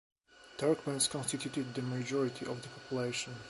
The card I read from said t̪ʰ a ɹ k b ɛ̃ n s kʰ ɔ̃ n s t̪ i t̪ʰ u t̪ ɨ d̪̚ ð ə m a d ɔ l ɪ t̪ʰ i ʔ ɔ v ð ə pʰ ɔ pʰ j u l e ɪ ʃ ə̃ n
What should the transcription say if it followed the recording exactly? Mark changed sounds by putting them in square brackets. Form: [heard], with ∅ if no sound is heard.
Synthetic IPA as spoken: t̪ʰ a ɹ k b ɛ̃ n s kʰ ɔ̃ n s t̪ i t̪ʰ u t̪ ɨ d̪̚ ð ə m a [d͡ʒ] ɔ [ɹ] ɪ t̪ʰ i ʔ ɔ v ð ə pʰ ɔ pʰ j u l e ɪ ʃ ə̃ n